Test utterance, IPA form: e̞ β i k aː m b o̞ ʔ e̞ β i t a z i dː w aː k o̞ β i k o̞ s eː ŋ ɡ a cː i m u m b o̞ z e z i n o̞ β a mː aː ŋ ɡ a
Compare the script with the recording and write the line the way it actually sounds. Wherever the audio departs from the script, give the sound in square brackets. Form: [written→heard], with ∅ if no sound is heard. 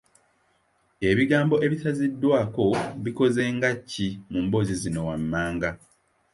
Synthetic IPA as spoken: e̞ β i [k→ɡ] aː m b o̞ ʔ e̞ β i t a z i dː w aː k o̞ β i k o̞ [s→z] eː ŋ ɡ a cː i m u m b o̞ z [e→i] z i n o̞ [β→w] a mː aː ŋ ɡ a

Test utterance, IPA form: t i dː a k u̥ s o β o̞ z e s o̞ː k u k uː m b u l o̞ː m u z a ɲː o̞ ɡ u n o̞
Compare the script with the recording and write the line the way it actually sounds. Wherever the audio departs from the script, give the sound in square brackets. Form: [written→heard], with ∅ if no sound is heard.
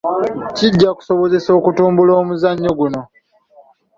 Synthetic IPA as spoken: [t→c] i [dː→ɟː] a k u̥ s o β o̞ z e s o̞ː k u [k→t] uː m b u l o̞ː m u z a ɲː o̞ ɡ u n o̞

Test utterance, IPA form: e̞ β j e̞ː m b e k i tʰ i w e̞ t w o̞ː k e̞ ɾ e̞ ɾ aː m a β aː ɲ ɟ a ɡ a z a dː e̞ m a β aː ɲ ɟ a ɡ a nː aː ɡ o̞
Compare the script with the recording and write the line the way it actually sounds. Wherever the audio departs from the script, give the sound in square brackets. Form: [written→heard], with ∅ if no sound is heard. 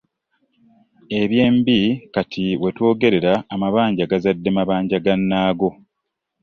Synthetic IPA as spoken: e̞ β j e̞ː m b [e→i] k [i→a] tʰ i w e̞ t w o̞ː [k→ɡ] e̞ ɾ e̞ ɾ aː m a β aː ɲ ɟ a ɡ a z a dː e̞ m a β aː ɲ ɟ a ɡ a nː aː ɡ o̞

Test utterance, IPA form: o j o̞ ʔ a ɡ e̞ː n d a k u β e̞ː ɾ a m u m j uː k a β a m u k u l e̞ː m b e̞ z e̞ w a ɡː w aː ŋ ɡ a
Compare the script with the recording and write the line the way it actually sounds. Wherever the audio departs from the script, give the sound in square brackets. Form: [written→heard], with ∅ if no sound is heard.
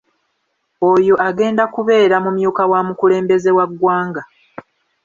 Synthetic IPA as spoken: o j o̞ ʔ a ɡ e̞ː n d a k u β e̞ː ɾ a m u m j uː k a [β→w] a m u k u l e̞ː m b e̞ z e̞ w a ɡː w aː ŋ ɡ a

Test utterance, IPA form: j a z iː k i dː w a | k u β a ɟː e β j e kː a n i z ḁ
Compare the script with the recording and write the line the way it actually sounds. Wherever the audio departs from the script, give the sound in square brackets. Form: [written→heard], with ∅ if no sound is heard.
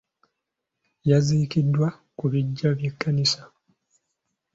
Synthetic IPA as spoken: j a z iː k i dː w a | k u β [a→i] ɟː [e→a] β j e kː a n i [z→s] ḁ

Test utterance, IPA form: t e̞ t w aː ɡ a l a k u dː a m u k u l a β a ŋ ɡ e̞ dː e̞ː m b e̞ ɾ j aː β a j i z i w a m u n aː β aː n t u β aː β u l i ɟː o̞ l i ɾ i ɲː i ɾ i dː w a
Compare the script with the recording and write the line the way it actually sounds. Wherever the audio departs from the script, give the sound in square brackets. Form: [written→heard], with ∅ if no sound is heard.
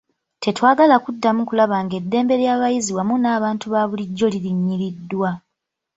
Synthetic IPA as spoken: t e̞ t w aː ɡ a l a k u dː a m u k u l a β a ŋ ɡ e̞ dː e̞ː m b e̞ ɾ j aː β a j i z i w a m u n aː β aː n t u β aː β u l i ɟː o̞ l i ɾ i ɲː i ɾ i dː w a

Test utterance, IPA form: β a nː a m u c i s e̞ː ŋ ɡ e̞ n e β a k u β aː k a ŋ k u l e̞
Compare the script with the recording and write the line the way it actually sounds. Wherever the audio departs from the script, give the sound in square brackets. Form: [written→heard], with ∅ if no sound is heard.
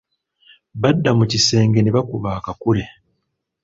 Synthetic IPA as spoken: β a [nː→dː] a m u c i s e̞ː ŋ ɡ e̞ n e β a k u β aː k a [ŋ→∅] k u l e̞

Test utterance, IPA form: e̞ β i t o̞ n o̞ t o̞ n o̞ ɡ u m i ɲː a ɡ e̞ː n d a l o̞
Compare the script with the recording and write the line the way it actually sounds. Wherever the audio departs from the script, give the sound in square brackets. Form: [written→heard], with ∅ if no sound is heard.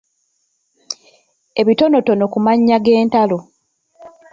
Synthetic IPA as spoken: e̞ β i t o̞ n o̞ t o̞ n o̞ [ɡ→k] u m [i→a] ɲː a ɡ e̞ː n [d→t] a l o̞

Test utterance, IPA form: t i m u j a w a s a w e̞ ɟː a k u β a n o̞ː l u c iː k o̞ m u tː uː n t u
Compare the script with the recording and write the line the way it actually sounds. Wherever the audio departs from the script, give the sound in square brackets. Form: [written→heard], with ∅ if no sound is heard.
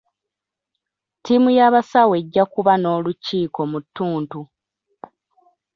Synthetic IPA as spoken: t i m u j a [w→β] a s a w e̞ ɟː a k u β a n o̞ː l u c iː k o̞ m u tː uː n t u

